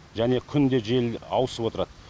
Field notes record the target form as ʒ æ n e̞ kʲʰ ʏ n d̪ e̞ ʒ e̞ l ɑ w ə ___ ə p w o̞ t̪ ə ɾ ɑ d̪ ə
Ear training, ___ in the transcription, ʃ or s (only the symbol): s